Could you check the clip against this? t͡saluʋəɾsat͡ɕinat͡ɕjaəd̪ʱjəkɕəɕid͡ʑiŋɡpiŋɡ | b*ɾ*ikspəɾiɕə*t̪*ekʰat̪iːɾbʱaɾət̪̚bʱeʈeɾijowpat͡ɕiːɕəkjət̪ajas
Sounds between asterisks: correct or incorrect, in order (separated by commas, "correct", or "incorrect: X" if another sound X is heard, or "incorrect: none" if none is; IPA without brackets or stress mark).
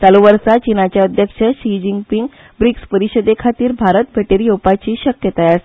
correct, incorrect: d̪